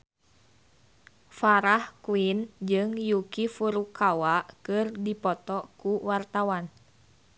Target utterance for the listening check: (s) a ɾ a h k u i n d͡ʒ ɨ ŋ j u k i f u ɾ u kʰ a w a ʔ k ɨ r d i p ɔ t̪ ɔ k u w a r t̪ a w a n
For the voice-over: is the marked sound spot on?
no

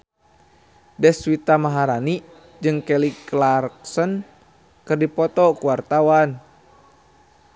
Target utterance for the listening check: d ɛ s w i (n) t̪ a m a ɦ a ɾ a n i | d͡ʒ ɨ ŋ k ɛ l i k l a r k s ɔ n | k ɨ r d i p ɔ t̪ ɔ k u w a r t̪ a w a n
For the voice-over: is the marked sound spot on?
no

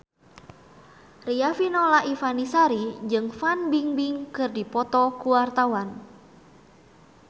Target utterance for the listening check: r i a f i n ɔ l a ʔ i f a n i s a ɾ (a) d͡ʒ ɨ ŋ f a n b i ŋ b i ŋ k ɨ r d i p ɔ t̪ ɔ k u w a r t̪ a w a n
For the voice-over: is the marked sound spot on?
no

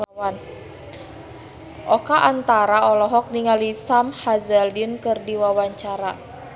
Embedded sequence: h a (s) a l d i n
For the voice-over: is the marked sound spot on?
no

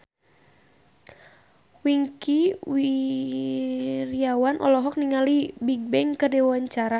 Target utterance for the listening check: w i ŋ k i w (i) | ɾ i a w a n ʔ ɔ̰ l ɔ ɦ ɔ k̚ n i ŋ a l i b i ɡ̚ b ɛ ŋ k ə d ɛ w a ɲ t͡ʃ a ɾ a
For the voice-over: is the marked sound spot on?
yes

